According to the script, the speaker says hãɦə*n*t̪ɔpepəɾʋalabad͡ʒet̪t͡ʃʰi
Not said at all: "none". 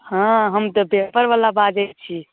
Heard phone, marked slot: m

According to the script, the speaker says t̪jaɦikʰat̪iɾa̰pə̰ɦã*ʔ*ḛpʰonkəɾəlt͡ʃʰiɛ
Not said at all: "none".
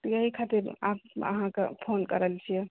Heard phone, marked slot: k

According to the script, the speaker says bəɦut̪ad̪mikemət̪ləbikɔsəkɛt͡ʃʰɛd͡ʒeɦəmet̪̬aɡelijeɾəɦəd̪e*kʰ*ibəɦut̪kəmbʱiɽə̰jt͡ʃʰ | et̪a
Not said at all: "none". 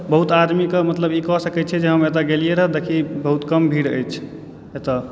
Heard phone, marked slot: kʰ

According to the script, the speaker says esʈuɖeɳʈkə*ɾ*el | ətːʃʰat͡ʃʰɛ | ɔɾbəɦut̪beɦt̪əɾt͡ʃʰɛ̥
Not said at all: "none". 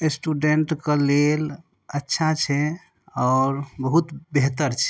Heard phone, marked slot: l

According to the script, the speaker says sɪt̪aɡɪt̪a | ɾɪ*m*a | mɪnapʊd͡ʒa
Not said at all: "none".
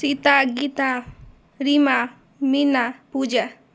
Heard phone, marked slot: m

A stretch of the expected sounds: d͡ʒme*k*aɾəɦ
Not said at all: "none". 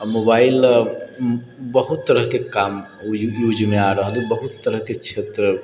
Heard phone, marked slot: none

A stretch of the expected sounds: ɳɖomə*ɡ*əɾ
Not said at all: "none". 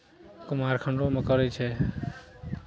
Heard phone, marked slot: k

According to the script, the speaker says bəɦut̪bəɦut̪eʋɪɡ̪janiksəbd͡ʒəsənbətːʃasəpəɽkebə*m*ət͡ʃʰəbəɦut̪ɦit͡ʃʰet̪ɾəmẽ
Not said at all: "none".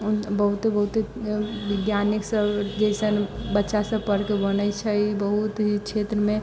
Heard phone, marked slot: n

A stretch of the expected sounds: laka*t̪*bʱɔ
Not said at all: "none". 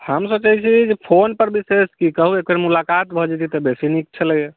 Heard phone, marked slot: t̪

